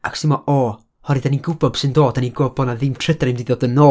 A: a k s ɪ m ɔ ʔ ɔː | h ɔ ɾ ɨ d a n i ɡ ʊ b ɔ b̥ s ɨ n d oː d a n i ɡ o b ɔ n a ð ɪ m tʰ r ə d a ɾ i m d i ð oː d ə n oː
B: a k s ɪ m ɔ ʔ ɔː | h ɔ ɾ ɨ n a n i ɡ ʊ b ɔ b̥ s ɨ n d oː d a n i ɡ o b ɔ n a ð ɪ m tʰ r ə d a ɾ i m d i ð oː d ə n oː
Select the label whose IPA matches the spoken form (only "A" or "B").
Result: A